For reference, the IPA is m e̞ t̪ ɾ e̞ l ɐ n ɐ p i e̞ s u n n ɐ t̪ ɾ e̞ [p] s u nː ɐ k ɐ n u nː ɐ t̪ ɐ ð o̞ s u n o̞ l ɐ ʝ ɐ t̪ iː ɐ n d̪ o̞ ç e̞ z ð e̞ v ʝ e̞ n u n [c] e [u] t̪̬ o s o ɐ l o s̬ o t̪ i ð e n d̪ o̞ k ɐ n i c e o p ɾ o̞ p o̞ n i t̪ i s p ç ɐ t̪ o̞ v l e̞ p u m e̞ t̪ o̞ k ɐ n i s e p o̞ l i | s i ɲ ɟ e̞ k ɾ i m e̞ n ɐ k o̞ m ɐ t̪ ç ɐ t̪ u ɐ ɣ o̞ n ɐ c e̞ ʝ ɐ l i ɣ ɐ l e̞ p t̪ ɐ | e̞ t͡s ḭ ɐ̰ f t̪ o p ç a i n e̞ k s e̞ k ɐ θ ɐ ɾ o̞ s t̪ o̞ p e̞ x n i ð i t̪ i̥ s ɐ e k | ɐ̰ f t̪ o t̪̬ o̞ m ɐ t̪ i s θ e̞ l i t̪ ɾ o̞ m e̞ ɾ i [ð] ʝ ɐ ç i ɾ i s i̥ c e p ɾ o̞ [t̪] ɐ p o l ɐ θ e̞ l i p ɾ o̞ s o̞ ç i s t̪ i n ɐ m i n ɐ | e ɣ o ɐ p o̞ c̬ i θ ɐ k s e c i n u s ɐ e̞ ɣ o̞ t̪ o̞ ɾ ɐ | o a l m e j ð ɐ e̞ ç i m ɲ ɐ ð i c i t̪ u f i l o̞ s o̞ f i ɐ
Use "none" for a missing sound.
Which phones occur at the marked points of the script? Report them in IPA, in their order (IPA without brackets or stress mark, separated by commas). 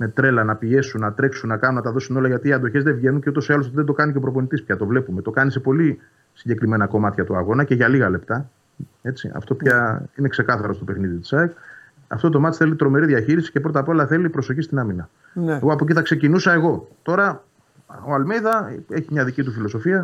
k, c, u, ð, t̪